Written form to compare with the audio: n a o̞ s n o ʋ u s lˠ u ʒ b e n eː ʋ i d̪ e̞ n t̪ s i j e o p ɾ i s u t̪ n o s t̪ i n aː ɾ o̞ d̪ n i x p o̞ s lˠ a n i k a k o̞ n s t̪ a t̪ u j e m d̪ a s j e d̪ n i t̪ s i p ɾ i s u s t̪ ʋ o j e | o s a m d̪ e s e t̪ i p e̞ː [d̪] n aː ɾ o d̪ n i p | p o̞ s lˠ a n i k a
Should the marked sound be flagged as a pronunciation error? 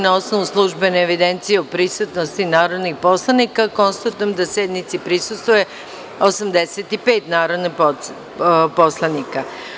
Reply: yes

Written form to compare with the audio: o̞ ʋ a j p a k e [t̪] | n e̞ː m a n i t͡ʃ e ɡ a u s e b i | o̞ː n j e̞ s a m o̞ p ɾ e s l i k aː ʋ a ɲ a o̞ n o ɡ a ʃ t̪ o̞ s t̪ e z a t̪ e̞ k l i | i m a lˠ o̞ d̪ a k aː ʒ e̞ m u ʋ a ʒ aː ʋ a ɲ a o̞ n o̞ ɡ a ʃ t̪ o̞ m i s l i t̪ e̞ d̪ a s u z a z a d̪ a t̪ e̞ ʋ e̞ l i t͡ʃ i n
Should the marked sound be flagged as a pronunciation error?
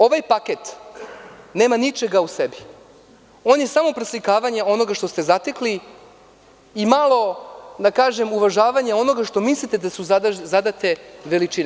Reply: no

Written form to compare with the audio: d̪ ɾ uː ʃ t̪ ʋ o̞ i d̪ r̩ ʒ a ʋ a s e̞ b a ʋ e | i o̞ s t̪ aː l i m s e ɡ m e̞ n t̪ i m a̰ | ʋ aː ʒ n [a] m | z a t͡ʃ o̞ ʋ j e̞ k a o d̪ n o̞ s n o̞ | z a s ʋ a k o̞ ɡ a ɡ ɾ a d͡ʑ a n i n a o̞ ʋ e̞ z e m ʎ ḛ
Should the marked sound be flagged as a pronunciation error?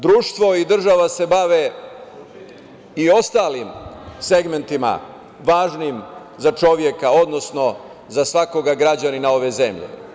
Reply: yes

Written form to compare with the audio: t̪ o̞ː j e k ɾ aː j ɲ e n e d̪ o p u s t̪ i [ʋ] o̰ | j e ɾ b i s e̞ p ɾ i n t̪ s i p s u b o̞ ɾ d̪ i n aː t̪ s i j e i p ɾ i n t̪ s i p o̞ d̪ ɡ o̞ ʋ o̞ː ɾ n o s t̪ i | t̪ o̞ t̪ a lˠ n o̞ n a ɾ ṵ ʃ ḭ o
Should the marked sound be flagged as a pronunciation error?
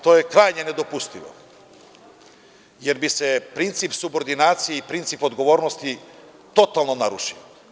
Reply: no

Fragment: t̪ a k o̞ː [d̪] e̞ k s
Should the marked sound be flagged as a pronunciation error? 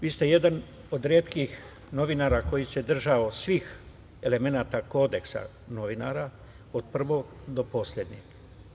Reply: no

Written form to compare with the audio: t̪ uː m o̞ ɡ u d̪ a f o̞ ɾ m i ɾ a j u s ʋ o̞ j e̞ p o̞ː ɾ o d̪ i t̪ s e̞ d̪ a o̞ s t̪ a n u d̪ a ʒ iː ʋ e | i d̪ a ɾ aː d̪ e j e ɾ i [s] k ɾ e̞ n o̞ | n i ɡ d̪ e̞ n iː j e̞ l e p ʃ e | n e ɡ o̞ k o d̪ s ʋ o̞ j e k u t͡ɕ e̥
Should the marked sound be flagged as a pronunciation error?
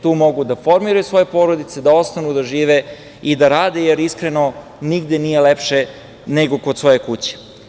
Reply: no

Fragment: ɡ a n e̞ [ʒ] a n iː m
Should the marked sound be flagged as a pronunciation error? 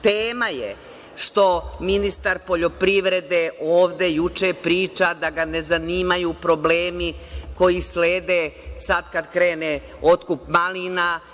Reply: yes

